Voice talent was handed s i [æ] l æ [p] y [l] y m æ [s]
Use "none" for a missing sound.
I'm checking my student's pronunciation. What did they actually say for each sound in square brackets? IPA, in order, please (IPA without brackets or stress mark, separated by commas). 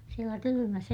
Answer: e, k, l, s